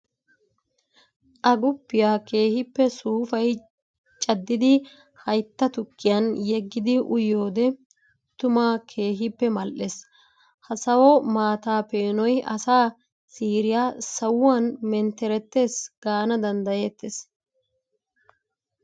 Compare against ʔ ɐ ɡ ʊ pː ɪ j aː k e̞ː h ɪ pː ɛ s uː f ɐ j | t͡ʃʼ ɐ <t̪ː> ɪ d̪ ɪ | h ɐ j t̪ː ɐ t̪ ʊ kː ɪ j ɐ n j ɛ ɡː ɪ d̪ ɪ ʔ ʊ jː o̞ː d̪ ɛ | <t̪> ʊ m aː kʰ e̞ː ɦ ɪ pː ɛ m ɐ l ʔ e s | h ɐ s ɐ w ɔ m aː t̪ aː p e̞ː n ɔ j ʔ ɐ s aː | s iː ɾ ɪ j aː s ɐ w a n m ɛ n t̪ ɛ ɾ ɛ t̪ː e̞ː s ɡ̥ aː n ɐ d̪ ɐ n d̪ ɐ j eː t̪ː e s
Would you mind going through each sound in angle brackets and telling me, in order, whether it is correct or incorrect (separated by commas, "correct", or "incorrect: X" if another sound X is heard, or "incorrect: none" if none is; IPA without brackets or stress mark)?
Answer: incorrect: d̪ː, correct